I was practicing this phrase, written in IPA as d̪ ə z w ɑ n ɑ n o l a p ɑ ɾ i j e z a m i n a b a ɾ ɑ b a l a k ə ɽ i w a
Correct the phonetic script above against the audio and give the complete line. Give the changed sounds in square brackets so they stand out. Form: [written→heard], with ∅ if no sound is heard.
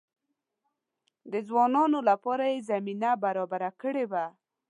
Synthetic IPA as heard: d̪ ə z w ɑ n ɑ n o l a p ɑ ɾ [i→a] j e z a m i n a b a ɾ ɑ b a [l→ɾ] a k ə ɽ [i→e] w a